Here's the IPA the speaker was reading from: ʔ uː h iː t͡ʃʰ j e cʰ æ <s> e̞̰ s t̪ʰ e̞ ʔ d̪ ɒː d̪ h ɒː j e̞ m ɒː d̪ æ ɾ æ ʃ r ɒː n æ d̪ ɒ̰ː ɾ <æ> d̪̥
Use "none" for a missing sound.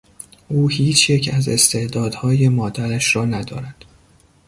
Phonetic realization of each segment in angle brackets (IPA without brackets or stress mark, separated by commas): z, æ